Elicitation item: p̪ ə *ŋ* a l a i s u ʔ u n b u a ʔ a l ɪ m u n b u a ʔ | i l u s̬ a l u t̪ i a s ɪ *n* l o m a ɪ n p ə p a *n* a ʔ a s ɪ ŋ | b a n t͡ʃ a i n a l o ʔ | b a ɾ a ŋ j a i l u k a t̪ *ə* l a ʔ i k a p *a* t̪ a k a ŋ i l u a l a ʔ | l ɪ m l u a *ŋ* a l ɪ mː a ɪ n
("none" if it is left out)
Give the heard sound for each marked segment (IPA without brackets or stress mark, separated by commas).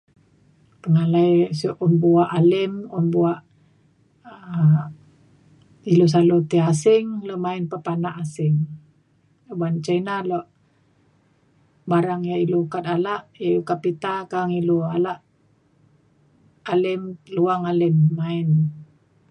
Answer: ŋ, ŋ, n, a, i, ŋ